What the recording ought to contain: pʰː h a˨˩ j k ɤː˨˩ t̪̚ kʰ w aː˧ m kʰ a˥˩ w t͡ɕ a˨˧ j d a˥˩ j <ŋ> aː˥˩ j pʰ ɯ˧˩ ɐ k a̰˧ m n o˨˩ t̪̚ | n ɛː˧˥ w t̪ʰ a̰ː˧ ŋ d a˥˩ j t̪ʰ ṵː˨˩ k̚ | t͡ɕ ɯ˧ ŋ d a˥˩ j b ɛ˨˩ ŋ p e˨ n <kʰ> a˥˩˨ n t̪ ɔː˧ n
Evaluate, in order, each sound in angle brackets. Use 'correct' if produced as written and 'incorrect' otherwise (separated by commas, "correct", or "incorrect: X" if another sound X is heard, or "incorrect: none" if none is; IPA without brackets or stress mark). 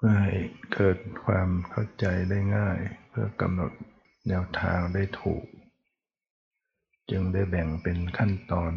correct, correct